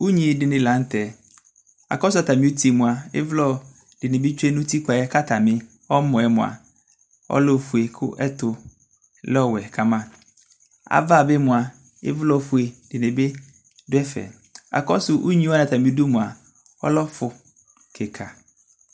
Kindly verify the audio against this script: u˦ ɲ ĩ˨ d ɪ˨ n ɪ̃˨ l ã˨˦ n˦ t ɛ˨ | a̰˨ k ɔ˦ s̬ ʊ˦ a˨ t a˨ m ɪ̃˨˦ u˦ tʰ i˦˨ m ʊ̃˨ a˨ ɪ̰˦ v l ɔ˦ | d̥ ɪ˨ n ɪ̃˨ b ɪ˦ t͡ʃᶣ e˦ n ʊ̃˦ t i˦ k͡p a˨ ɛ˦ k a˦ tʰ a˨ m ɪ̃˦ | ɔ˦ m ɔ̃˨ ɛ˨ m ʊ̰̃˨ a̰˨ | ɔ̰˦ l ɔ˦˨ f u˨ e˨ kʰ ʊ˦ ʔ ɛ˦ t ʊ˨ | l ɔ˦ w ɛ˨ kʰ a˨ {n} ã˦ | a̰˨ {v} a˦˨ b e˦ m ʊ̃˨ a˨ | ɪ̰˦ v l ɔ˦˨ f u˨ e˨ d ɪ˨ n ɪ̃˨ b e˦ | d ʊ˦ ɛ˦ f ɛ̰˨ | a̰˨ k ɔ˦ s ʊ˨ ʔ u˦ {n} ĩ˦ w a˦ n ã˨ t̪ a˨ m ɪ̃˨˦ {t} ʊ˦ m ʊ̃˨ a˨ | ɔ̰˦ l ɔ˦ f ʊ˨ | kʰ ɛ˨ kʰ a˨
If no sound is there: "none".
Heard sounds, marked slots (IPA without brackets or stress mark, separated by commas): m, v, ɲ, d